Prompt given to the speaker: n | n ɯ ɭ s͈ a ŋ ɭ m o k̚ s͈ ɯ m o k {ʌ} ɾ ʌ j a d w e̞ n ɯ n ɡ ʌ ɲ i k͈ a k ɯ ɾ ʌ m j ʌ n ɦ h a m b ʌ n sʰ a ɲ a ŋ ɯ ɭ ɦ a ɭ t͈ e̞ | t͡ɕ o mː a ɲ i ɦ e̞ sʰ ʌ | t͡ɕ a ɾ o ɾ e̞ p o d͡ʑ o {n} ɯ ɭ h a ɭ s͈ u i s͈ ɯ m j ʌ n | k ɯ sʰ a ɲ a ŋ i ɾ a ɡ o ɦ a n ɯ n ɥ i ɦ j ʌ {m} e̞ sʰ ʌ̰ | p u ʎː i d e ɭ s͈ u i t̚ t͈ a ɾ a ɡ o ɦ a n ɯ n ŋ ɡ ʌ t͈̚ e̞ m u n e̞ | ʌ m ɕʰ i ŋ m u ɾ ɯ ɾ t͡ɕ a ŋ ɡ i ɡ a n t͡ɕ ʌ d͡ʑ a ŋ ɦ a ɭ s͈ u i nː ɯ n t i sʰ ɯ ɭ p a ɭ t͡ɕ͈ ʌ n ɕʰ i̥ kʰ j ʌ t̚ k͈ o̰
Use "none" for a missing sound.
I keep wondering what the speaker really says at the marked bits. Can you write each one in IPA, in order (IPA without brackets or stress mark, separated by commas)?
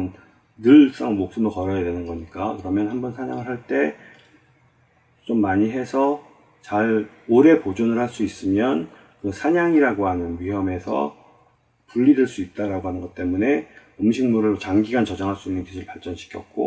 ʌ, n, m